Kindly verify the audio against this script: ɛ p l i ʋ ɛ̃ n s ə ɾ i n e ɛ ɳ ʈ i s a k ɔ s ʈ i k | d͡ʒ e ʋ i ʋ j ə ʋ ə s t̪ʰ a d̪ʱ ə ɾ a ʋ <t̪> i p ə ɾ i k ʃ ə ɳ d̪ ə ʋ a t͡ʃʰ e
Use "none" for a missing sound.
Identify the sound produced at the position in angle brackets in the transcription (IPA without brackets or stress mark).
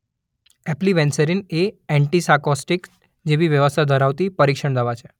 t̪